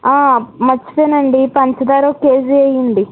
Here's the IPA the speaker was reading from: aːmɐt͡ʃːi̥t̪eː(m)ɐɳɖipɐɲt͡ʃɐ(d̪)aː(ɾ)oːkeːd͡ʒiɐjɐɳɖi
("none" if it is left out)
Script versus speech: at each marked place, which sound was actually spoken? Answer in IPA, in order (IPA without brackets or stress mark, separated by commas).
n, d̪, ɾ